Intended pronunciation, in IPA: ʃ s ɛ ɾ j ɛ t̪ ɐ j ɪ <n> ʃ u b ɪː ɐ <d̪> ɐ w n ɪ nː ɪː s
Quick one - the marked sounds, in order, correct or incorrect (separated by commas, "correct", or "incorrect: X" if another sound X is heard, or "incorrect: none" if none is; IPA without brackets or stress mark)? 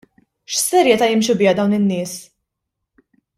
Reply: incorrect: m, correct